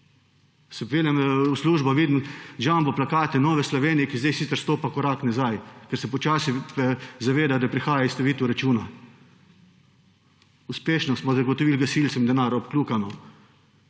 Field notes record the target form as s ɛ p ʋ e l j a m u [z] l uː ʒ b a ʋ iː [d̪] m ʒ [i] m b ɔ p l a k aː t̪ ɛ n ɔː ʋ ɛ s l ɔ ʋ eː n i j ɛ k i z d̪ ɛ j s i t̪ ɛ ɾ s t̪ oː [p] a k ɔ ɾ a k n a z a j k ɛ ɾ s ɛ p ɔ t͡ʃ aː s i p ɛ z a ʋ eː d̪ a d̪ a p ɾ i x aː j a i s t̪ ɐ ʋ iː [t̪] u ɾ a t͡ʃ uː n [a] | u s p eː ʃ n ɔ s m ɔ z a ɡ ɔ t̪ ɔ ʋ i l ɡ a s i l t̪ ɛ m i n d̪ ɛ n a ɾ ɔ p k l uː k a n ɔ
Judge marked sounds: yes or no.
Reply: no, yes, no, yes, yes, yes

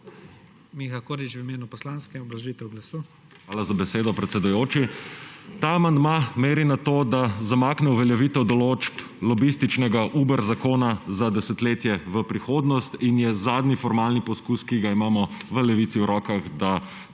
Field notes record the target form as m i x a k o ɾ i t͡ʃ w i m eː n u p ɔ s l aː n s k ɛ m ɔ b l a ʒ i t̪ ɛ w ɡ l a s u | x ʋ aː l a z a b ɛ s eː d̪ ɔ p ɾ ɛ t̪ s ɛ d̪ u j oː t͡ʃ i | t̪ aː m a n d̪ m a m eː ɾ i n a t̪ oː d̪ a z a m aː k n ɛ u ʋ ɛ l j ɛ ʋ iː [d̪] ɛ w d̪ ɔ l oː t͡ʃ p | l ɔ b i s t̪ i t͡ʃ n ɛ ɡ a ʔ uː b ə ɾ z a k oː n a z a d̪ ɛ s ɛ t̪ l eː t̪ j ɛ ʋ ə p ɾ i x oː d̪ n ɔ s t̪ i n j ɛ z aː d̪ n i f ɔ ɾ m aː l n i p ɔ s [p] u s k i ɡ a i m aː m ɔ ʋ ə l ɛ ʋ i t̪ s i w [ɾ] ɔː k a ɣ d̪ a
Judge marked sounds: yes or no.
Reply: no, no, yes

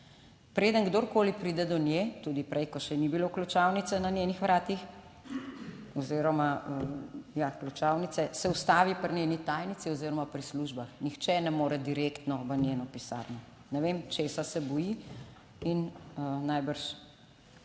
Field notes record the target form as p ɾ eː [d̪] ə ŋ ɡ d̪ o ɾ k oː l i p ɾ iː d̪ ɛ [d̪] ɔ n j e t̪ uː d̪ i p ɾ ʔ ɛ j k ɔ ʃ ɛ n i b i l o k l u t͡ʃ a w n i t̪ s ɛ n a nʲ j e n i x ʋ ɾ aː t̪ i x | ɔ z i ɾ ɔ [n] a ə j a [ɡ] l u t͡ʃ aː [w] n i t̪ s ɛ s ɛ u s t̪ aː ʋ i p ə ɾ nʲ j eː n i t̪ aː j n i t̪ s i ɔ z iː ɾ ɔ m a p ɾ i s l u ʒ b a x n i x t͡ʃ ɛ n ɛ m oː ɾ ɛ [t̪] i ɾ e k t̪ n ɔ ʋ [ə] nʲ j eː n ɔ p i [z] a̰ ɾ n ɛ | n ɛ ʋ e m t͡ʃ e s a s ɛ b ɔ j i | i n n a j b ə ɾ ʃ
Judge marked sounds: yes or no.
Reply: yes, yes, no, no, yes, no, yes, no

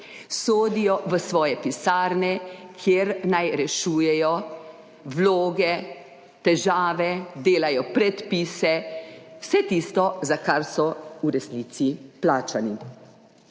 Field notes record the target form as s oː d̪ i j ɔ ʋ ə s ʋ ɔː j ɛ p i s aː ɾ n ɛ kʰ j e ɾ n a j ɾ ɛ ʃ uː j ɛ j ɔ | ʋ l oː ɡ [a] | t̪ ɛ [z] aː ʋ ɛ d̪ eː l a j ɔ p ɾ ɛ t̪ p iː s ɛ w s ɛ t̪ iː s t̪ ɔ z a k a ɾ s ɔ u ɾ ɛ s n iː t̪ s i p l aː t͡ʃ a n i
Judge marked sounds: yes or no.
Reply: no, no

